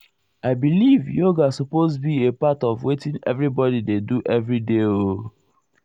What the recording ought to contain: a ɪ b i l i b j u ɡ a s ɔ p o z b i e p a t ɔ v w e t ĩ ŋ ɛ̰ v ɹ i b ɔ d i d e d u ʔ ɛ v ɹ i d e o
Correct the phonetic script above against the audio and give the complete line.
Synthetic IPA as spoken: a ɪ b i l i v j o ɡ a s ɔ p o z b i e p a t ɔ v w e t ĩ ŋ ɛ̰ v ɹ i b ɔ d i d e d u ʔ ɛ v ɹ i d e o